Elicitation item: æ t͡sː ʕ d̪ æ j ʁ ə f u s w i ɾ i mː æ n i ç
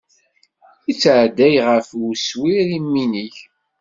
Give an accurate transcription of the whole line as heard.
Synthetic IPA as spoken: i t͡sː ʕ d̪ æ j ʁ ə f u s w i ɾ i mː i n i ç

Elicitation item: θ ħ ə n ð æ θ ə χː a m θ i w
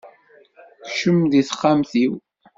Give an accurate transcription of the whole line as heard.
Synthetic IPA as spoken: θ ʃ ə m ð i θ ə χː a m θ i w

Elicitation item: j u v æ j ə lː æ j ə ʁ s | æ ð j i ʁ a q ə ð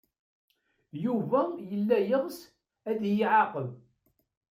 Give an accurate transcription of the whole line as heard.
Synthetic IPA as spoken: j u v æ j ə lː æ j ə ʁ s | æ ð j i ʕ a q ə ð

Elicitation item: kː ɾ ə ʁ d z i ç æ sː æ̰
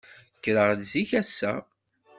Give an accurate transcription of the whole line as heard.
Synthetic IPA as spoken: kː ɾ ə ʁ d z i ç æ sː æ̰

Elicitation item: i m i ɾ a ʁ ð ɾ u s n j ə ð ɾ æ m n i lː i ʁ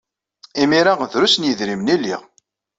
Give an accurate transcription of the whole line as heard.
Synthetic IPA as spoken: i m i ɾ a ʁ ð ɾ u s n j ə ð ɾ i m n i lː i ʁ

